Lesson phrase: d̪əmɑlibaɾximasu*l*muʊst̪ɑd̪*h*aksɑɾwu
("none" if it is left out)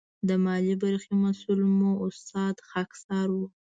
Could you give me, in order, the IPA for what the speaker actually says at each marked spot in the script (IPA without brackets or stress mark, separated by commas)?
l, x